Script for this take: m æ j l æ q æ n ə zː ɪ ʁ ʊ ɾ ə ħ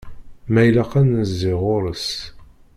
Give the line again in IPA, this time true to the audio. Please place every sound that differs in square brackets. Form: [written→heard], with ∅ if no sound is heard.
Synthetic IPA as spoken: m æ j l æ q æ n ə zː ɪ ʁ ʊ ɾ ə [ħ→s]